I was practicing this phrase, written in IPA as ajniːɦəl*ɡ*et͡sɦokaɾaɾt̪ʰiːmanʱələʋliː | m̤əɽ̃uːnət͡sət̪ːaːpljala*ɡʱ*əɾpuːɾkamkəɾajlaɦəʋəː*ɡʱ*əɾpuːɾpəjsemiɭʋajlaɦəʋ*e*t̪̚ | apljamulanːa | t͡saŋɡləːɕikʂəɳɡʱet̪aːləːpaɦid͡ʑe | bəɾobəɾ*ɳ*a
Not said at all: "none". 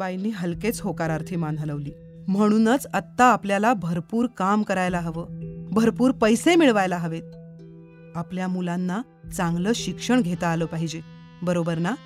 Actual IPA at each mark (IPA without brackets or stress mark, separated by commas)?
k, bʱ, bʱ, e, n